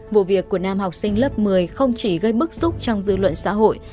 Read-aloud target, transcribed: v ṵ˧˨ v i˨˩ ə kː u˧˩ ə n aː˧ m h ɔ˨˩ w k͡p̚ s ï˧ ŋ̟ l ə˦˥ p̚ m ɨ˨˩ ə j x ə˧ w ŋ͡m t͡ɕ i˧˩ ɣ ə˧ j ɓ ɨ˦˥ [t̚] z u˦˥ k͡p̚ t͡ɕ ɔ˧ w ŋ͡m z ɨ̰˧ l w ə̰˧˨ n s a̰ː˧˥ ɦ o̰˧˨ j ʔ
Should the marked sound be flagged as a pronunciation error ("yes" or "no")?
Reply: yes